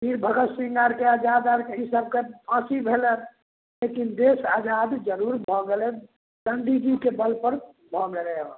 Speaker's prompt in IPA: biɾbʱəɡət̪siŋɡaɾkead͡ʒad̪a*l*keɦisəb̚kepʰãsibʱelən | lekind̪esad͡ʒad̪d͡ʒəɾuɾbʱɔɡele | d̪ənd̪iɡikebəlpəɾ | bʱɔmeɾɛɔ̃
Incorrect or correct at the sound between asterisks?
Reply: incorrect: ɾ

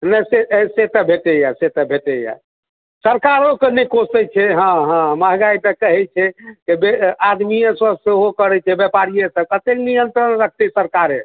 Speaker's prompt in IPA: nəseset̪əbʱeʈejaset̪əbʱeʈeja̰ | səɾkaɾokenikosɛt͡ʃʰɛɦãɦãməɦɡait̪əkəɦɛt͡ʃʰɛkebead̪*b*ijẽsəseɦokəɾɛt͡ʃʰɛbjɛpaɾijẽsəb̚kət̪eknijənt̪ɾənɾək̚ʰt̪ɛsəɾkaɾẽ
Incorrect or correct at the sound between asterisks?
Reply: incorrect: m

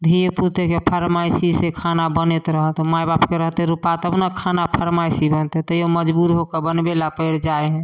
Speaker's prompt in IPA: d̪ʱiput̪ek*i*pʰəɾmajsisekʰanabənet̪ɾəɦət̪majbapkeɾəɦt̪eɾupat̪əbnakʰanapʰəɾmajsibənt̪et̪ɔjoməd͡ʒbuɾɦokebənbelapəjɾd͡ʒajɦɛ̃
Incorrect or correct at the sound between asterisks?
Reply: incorrect: e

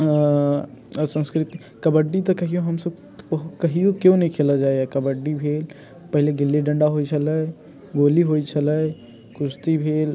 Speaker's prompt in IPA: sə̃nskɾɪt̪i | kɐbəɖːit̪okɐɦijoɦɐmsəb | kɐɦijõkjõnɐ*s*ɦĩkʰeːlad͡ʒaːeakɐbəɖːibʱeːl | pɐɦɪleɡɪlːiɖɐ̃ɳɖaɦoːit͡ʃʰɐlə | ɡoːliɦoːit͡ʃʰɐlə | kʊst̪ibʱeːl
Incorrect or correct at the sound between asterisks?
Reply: incorrect: none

